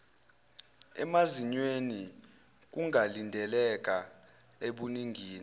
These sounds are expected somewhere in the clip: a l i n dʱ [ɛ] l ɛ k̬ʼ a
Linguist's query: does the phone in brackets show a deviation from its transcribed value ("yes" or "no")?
no